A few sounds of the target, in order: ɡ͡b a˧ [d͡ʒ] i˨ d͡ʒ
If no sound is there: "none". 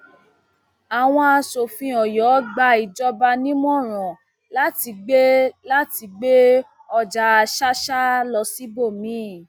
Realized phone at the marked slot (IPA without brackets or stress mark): none